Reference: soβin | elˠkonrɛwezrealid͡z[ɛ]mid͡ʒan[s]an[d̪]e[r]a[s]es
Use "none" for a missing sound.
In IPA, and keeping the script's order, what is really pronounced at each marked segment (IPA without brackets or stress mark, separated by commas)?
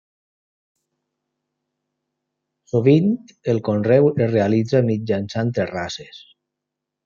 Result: a, s, t̪, r, s